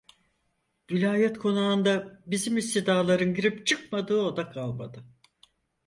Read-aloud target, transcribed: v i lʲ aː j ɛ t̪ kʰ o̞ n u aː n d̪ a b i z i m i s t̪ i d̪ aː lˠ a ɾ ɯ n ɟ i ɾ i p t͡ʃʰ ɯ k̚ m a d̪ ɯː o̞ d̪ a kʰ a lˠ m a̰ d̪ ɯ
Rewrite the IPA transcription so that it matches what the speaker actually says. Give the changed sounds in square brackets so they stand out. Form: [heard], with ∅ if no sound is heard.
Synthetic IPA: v i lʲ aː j ɛ t̪ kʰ o̞ n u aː n d̪ a b i z i m i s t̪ i d̪ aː lˠ a ɾ ɯ n ɟ i ɾ i p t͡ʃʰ ɯ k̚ m a d̪ ɯː o̞ d̪ a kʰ a lˠ m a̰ d̪ ɯ